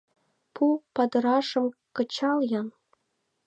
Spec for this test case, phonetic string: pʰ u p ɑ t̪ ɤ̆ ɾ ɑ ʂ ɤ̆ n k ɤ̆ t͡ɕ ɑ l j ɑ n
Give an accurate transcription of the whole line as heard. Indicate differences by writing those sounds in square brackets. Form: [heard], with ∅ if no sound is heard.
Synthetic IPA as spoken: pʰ u p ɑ [d̪] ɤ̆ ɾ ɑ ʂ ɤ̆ [m] k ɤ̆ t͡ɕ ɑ l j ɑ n